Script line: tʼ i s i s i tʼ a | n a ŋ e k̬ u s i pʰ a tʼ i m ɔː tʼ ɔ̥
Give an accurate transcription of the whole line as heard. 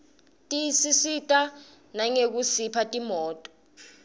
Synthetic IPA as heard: tʼ i s i s i tʼ a | n a ŋ e k̬ u s i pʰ a tʼ i m ɔː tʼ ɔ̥